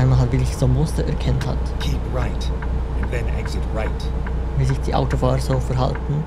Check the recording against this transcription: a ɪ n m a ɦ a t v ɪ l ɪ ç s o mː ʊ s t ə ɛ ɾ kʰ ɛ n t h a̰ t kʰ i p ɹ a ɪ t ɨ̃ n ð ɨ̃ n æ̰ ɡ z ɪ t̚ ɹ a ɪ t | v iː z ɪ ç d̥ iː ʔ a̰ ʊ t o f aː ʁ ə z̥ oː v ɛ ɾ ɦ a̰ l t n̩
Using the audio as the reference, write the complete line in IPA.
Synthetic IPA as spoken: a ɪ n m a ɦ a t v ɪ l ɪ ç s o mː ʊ s t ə ɛ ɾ kʰ ɛ n t h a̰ t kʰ i p ɹ a ɪ t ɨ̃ n ð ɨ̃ n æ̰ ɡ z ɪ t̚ ɹ a ɪ t | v iː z ɪ ç d̥ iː ʔ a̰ ʊ t o f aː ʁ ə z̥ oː f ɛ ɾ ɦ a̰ l t n̩

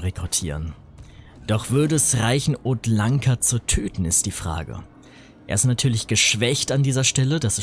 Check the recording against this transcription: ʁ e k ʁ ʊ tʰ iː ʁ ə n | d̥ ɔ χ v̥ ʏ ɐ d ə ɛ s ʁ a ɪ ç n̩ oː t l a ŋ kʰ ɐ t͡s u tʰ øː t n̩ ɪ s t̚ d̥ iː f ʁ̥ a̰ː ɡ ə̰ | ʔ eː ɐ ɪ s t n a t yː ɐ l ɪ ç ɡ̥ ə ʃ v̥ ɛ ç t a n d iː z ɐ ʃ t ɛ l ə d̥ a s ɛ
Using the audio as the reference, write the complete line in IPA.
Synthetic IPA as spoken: ʁ e k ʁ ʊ tʰ iː ʁ ə n | d̥ ɔ χ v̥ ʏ ɐ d ə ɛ s ʁ a ɪ ç n̩ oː t l a ŋ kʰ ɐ t͡s u tʰ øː t n̩ ɪ s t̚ d̥ iː f ʁ̥ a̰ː ɡ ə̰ | ʔ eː ɐ ɪ s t n a tʰ yː ɐ l ɪ ç ɡ̥ ə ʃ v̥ ɛ ç t a n d iː z ɐ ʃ t ɛ l ə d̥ a s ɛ

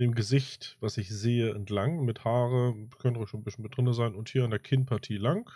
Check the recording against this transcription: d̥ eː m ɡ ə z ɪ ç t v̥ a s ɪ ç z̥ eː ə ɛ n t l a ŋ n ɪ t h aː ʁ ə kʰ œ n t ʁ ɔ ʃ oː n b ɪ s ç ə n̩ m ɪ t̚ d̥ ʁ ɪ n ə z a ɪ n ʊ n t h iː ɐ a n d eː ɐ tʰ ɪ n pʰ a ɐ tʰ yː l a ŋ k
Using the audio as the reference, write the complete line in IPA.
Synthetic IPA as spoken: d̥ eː m ɡ ə z ɪ ç t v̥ a s ɪ ç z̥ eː ə ɛ n t l a ŋ m ɪ t h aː ʁ ə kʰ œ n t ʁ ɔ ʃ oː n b ɪ s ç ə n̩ m ɪ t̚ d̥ ʁ ɪ n ə z a ɪ n ʊ n t h iː ɐ a n d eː ɐ kʰ ɪ n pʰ a ɐ tʰ iː l a ŋ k

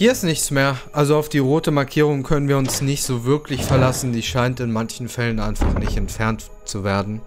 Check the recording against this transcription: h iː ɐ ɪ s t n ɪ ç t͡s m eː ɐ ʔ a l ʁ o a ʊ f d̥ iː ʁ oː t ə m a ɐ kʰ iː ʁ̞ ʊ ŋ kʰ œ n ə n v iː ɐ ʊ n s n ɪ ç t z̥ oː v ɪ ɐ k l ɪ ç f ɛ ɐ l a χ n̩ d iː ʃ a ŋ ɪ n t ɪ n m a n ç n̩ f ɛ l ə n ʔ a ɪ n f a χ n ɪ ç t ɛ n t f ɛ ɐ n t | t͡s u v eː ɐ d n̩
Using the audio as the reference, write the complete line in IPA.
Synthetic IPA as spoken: h iː ɐ ɪ s t n ɪ ç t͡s m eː ɐ ʔ a l z o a ʊ f d̥ iː ʁ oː t ə m a ɐ kʰ iː ʁ̞ ʊ ŋ kʰ œ n ə n v iː ɐ ʊ n s n ɪ ç t z̥ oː v ɪ ɐ k l ɪ ç f ɛ ɐ l a s n̩ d iː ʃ a ɪ n t ɪ n m a n ç n̩ f ɛ l ə n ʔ a ɪ n f a χ n ɪ ç t ɛ n t f ɛ ɐ n t | t͡s u v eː ɐ d n̩

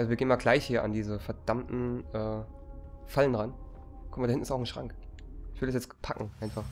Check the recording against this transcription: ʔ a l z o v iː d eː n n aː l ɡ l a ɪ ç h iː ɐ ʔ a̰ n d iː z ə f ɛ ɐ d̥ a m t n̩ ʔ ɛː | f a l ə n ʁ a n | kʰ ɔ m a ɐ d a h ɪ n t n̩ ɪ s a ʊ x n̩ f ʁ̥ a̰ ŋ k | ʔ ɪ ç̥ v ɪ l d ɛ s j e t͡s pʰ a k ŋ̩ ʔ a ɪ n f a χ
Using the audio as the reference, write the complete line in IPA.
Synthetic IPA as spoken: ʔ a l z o v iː ɡ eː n m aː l ɡ l a ɪ ç h iː ɐ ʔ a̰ n d iː z ə f ɛ ɐ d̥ a m t n̩ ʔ ɛː | f a l ə n ʁ a n | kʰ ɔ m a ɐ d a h ɪ n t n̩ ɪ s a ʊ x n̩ ʃ ʁ̥ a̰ ŋ k | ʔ ɪ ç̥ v ɪ l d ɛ s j ɛ t͡s pʰ a k ŋ̩ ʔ a ɪ n f a χ

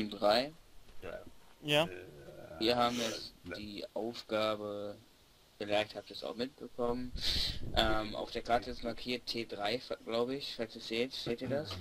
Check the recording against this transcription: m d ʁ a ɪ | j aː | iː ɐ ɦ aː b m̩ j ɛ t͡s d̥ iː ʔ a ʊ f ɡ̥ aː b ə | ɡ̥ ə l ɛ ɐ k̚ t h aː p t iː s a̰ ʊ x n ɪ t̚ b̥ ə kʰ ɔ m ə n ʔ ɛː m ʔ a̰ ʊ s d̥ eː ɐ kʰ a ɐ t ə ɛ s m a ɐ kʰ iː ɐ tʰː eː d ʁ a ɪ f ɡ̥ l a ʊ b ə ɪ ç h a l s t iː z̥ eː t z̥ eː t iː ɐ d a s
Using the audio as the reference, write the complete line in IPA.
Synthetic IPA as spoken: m d ʁ a ɪ | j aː | iː ɐ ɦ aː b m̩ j ɛ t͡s d̥ iː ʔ a ʊ f ɡ̥ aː b ə | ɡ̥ ə l ɛ ɐ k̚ t h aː p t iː s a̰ ʊ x m ɪ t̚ b̥ ə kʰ ɔ m ə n ʔ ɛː m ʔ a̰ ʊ f d̥ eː ɐ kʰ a ɐ t ə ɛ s m a ɐ kʰ iː ɐ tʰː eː d ʁ a ɪ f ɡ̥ l a ʊ b ə ɪ ç f a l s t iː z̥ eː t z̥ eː t iː ɐ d a s

